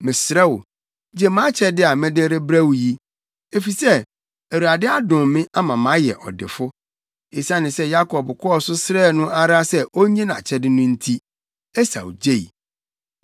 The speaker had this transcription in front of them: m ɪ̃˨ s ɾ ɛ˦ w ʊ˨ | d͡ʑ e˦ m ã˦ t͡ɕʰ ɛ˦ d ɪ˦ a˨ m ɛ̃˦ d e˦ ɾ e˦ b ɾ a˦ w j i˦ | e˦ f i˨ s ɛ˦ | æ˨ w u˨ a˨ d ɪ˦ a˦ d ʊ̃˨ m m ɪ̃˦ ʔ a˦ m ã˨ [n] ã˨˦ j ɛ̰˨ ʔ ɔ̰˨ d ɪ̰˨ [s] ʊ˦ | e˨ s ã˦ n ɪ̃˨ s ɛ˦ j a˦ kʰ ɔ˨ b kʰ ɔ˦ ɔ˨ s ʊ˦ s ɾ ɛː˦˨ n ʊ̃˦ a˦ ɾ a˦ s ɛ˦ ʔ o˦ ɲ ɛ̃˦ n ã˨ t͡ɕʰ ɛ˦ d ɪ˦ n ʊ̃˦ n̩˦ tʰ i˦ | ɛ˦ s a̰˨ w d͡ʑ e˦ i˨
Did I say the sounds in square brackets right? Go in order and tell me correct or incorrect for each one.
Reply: incorrect: m, incorrect: f

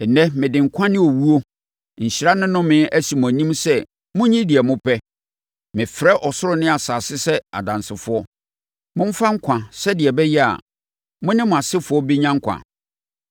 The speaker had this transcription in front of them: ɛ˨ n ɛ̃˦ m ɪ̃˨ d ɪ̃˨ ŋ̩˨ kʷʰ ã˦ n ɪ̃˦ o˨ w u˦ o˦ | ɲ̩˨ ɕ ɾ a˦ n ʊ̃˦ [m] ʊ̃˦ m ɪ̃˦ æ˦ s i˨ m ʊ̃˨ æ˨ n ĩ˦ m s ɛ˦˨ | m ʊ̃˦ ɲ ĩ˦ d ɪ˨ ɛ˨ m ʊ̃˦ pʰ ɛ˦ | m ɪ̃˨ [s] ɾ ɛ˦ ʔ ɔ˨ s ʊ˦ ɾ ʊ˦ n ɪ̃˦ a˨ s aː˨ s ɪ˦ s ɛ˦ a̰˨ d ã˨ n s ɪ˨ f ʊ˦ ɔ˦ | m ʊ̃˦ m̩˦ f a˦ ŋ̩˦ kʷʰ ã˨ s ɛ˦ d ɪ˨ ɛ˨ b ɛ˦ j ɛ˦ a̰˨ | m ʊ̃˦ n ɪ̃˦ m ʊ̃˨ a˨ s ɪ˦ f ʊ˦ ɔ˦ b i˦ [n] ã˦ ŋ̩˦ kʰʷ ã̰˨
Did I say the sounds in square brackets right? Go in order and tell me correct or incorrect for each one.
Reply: incorrect: n, incorrect: f, incorrect: ɲ

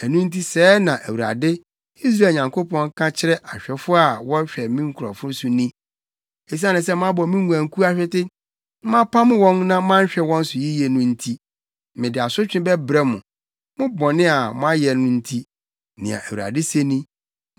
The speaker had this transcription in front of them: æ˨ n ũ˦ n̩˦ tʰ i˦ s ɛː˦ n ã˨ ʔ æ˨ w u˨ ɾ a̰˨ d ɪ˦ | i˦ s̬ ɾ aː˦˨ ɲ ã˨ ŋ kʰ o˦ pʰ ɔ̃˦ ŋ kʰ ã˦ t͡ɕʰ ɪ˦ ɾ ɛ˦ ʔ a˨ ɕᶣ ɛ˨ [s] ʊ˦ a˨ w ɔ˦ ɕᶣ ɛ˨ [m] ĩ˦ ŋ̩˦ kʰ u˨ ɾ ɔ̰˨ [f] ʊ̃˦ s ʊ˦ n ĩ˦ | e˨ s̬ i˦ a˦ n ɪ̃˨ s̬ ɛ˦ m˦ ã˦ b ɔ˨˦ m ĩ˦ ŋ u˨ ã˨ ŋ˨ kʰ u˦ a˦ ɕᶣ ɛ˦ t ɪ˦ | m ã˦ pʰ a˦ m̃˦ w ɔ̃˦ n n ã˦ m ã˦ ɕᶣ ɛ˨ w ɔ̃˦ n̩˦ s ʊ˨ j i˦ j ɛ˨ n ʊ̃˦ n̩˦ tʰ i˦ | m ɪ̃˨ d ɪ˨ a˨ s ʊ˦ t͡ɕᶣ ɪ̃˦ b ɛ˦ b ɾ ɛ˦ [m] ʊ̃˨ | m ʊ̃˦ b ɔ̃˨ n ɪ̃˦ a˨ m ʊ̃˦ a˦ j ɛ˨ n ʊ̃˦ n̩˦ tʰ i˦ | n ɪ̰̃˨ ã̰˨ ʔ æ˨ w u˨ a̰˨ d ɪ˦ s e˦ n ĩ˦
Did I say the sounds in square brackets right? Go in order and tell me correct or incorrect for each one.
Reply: incorrect: f, correct, correct, correct

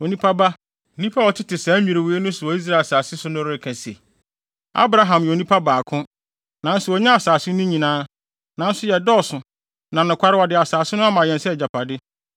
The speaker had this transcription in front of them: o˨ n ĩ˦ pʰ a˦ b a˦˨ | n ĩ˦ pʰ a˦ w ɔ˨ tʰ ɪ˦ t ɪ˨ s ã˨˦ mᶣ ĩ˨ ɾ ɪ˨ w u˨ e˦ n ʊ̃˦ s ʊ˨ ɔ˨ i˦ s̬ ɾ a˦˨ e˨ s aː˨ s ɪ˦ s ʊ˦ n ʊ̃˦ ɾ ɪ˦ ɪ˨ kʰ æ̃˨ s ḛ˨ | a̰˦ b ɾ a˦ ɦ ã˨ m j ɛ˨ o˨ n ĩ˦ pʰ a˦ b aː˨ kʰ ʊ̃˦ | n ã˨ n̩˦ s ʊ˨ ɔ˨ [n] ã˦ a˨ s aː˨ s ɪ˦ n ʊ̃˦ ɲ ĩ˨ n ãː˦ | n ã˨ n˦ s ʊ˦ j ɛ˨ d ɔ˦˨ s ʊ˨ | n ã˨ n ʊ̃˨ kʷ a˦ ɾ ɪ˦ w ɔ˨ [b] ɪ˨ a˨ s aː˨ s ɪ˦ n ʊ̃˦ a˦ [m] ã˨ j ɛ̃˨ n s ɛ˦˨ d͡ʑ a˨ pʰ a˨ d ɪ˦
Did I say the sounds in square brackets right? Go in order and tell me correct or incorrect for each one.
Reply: incorrect: ɲ, incorrect: d, correct

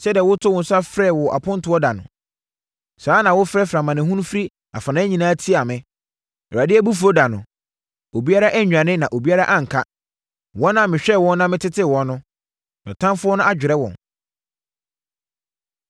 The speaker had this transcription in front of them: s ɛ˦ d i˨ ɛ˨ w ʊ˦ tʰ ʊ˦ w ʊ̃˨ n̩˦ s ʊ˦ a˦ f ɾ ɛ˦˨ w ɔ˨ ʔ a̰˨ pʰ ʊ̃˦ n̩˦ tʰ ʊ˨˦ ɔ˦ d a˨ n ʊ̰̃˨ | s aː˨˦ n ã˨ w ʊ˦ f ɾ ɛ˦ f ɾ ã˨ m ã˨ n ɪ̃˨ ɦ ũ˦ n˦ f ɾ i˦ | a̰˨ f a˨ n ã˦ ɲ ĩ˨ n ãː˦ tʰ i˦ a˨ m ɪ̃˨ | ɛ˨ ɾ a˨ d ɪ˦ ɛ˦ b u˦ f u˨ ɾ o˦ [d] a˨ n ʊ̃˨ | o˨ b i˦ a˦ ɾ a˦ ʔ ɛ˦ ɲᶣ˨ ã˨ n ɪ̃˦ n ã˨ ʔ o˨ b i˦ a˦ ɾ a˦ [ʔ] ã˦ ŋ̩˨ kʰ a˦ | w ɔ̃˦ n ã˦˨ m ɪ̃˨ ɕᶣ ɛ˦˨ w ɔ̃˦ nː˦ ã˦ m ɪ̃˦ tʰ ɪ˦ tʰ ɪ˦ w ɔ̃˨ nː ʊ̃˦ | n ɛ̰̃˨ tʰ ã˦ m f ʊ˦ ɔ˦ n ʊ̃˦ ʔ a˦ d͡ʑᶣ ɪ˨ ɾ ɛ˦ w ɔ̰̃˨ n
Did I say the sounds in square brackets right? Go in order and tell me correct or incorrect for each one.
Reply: correct, correct

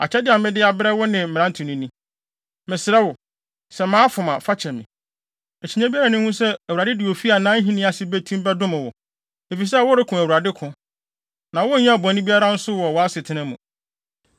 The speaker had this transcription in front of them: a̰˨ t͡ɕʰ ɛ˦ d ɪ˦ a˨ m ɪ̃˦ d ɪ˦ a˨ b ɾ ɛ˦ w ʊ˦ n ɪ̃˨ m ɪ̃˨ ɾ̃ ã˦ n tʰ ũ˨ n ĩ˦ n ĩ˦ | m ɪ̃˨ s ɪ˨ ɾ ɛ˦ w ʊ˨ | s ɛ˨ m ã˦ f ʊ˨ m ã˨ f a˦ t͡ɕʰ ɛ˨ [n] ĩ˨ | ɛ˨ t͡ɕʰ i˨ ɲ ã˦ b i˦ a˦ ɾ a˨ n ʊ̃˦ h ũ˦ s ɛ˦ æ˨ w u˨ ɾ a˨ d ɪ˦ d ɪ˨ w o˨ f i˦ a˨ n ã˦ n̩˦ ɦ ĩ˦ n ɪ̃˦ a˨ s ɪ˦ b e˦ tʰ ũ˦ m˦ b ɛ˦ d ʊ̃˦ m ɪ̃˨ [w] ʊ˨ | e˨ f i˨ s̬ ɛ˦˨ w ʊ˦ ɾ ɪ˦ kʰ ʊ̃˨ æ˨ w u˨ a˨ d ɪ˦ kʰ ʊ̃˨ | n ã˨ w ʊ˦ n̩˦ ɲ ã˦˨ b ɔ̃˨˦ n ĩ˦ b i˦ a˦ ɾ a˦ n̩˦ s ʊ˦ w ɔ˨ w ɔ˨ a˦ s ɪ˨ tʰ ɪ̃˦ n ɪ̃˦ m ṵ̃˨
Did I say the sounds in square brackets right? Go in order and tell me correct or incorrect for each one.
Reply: incorrect: m, correct

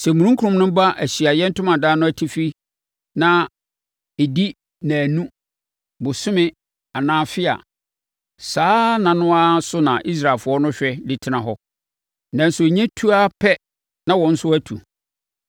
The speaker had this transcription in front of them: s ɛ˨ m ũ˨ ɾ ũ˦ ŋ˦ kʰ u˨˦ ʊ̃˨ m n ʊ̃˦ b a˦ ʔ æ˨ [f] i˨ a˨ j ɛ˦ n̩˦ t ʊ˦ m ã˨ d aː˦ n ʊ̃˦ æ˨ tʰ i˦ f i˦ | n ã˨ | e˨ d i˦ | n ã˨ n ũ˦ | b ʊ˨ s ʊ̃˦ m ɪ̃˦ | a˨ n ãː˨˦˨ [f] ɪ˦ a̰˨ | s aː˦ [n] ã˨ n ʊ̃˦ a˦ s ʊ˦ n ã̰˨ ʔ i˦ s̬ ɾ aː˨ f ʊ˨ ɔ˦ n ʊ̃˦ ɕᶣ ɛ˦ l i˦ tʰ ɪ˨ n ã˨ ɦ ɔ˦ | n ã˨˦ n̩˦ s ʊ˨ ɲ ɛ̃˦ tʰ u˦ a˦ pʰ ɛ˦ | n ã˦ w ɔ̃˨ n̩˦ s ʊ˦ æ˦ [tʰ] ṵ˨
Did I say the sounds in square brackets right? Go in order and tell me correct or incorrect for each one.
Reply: incorrect: ɕ, correct, correct, correct

